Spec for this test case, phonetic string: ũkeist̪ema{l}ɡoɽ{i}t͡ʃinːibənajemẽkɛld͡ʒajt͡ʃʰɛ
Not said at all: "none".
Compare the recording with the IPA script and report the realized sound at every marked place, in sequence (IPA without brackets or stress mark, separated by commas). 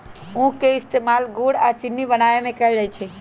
l, a